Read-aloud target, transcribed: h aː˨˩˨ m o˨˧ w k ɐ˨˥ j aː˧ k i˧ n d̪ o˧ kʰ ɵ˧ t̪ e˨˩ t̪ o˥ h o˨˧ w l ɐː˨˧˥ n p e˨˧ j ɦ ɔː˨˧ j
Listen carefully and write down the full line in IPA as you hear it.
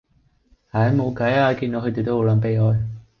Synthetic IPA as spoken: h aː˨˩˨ m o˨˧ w k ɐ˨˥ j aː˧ k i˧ n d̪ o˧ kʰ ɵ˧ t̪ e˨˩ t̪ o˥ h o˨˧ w l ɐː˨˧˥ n p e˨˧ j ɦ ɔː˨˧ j